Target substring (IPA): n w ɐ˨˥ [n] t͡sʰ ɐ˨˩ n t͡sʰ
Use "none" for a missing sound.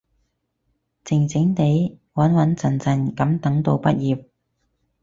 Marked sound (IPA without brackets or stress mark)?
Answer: n